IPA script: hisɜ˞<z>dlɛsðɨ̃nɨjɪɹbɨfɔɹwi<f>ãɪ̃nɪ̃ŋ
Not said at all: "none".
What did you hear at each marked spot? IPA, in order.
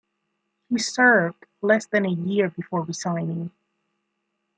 v, s

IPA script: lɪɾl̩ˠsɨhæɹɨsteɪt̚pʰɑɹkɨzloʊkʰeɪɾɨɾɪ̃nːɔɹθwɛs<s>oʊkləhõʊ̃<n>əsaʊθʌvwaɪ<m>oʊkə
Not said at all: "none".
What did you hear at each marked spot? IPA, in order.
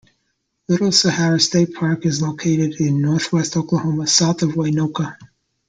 t, m, n

